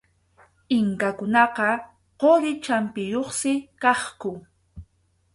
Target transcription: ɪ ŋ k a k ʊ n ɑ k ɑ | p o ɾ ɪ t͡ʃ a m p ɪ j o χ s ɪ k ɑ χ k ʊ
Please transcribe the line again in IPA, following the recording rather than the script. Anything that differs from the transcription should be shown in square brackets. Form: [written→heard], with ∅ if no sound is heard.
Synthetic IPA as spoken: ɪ ŋ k a k ʊ n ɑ [k→q] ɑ | [p→q] o ɾ ɪ t͡ʃ a m p ɪ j o χ s ɪ k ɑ χ k ʊ